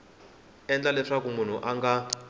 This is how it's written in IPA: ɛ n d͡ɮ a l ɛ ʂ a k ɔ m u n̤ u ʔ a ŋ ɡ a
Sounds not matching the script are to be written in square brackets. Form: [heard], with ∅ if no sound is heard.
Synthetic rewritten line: ɛ n d͡ɮ a l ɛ ʂ a k [u] m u n̤ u ʔ a ŋ ɡ a